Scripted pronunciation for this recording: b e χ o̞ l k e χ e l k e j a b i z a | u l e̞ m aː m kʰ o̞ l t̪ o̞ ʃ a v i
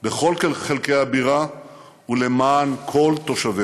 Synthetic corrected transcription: b e χ o̞ l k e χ e l k e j a b i ʁ a | u l e̞ m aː n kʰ o̞ l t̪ o̞ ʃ a v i